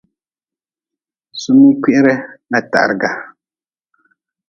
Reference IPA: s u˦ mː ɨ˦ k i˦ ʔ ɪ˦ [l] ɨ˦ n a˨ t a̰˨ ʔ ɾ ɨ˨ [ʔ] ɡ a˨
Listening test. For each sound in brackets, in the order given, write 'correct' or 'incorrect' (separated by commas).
incorrect, incorrect